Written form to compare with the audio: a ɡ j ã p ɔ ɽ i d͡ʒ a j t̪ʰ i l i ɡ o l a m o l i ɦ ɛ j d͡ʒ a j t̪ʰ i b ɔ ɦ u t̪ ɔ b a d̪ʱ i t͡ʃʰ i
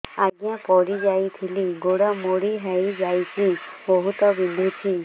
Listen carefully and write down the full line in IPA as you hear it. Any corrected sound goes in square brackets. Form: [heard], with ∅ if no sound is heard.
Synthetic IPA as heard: a ɡ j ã p ɔ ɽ i d͡ʒ a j t̪ʰ i l i ɡ o [ɽ] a m o [ɽ] i ɦ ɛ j d͡ʒ a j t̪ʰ i b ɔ ɦ u t̪ ɔ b [i] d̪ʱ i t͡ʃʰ i